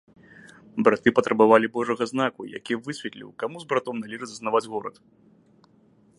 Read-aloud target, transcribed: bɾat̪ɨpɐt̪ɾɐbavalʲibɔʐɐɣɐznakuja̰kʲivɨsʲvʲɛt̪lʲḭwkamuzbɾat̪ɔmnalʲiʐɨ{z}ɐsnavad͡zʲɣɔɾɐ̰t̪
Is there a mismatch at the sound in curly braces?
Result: no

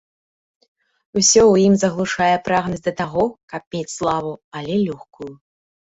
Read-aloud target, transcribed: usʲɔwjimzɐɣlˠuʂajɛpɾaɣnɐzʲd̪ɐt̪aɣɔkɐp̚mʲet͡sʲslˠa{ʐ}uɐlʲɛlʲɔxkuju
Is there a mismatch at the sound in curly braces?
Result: yes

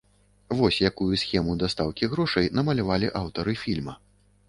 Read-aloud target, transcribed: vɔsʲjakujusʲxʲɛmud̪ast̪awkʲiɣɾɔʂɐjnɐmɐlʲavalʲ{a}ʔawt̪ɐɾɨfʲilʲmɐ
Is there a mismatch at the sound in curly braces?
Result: yes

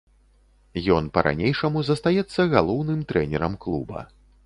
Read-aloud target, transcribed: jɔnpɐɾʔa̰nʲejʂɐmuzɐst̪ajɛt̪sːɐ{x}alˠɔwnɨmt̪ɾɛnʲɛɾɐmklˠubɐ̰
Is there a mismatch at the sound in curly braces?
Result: yes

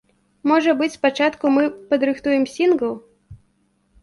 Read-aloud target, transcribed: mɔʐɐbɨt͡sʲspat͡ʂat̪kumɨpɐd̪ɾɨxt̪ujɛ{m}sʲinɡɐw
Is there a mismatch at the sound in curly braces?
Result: no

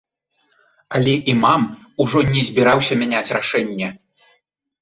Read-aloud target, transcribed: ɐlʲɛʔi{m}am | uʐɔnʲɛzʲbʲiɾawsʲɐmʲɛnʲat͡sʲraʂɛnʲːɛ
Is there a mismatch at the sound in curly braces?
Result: no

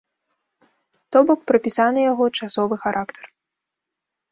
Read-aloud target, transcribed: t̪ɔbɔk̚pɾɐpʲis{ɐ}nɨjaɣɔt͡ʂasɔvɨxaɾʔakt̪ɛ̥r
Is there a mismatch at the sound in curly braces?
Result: yes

